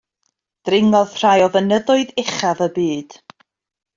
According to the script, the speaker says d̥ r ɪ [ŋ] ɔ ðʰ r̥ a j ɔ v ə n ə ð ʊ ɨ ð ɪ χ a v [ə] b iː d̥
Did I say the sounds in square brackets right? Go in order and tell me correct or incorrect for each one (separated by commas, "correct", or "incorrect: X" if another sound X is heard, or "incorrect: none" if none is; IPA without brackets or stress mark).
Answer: correct, correct